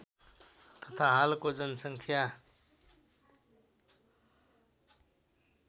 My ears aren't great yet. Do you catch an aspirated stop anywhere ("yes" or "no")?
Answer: yes